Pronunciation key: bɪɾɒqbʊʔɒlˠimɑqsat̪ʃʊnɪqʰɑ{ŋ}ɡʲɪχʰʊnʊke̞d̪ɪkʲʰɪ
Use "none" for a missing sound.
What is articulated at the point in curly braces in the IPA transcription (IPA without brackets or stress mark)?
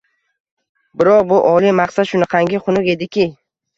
ŋ